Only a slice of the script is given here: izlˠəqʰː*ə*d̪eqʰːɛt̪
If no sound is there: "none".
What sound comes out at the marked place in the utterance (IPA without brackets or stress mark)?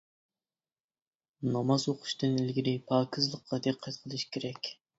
ɑ